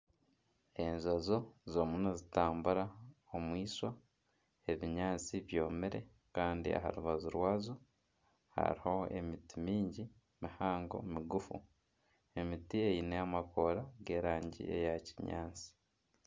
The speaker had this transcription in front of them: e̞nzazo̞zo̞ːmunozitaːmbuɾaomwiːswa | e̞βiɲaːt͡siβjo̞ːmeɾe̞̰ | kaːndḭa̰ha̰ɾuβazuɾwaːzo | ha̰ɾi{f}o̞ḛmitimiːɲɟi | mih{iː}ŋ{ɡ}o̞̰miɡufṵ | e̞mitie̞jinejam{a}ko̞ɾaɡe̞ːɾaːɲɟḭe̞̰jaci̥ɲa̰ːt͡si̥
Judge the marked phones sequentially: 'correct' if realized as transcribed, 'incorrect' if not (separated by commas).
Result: incorrect, incorrect, correct, correct